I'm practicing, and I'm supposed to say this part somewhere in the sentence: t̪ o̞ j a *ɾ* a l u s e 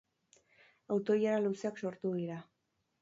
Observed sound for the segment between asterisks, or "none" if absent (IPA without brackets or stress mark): ɾ